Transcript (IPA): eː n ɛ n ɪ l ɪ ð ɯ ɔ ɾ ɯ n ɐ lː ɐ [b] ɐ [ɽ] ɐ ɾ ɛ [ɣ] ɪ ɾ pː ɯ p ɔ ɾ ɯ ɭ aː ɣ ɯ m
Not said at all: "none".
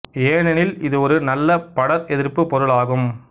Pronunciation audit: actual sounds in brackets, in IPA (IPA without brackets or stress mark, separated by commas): p, ɽ, ð